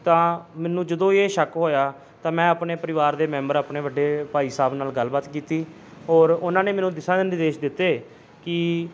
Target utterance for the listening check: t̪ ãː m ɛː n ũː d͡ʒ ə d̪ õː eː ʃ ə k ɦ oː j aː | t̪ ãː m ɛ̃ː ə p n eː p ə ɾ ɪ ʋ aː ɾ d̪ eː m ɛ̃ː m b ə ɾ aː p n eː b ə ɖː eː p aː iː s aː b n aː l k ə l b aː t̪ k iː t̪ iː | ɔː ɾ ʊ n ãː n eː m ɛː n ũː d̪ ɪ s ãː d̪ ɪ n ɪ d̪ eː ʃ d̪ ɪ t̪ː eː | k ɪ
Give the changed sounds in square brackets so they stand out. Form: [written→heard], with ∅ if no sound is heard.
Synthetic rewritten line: t̪ ãː m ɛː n ũː d͡ʒ ə d̪ õː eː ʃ ə k ɦ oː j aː | t̪ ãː m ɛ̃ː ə p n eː p ə ɾ ɪ ʋ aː ɾ d̪ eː m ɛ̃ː m b ə ɾ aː p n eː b ə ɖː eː p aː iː s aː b n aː l [k→ɡ] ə l b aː t̪ k iː t̪ iː | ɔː ɾ ʊ n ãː n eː m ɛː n ũː d̪ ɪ s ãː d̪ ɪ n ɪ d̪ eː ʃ d̪ ɪ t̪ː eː | k ɪ

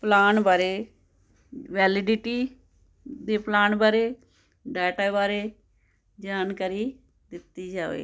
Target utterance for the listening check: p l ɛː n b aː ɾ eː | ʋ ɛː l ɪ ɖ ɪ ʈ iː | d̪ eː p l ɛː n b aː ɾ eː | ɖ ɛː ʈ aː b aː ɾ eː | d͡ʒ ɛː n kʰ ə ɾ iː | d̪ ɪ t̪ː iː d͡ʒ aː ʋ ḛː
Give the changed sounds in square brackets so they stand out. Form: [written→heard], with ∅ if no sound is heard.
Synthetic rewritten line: p l [ɛː→aː] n b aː ɾ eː | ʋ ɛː l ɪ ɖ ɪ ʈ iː | d̪ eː p l [ɛː→aː] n b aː ɾ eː | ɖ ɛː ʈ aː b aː ɾ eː | d͡ʒ [ɛː→aː] n [kʰ→k] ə ɾ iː | d̪ ɪ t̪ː iː d͡ʒ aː ʋ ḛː

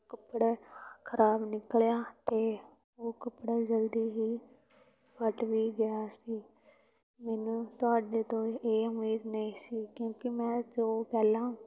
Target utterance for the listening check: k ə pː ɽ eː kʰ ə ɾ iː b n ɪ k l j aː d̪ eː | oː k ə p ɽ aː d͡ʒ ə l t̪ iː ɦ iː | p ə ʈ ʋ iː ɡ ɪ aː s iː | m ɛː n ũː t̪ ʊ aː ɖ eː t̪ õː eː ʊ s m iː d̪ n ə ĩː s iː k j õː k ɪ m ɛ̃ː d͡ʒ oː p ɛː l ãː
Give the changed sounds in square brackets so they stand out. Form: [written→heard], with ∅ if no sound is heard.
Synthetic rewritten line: k ə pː ɽ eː kʰ ə ɾ [iː→aː] b n ɪ k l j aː [d̪→t̪] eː | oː k ə p ɽ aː d͡ʒ ə l [t̪→d̪] iː ɦ iː | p ə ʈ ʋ iː ɡ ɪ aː s iː | m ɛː n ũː t̪ ʊ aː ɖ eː t̪ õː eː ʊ [s→∅] m iː d̪ n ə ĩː s iː k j õː k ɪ m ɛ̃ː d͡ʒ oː p ɛː l ãː

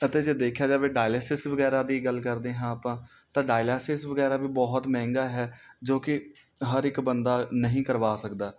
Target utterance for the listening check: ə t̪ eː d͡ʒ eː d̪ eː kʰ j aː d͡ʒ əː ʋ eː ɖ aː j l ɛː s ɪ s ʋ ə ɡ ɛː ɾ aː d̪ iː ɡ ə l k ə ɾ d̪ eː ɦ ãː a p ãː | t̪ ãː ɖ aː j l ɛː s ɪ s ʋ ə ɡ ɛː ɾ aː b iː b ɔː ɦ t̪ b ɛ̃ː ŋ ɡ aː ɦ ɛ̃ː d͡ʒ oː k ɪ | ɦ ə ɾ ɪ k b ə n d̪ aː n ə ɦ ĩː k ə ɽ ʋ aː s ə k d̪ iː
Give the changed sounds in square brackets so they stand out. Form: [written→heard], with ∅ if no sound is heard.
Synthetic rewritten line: ə t̪ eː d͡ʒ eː d̪ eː kʰ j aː d͡ʒ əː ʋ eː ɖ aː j l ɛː s ɪ s ʋ ə ɡ ɛː ɾ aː d̪ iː ɡ ə l k ə ɾ d̪ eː ɦ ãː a p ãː | t̪ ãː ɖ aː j l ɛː s ɪ s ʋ ə ɡ ɛː ɾ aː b iː b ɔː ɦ t̪ [b→m] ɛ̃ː ŋ ɡ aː ɦ [ɛ̃ː→ɛː] d͡ʒ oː k ɪ | ɦ ə ɾ ɪ k b ə n d̪ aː n ə ɦ ĩː k ə [ɽ→ɾ] ʋ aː s ə k d̪ [iː→aː]

